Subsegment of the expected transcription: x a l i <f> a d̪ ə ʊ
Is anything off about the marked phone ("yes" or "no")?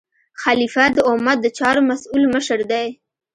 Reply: no